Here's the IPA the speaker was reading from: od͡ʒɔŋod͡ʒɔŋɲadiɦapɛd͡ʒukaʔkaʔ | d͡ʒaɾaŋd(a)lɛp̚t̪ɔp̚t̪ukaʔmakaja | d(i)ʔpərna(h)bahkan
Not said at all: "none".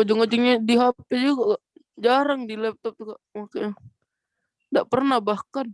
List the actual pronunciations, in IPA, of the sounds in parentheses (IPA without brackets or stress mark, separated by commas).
i, a, h